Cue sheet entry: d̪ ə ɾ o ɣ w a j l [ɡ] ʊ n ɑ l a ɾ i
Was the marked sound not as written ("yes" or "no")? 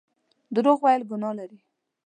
no